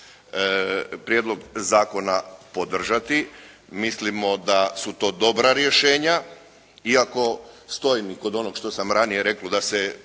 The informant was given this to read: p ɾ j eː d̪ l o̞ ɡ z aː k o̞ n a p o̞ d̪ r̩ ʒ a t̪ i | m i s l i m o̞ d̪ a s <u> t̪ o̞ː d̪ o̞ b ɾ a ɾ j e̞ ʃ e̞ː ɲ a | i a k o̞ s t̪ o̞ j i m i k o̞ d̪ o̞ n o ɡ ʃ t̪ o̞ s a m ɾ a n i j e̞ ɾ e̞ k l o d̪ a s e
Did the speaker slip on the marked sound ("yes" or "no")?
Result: no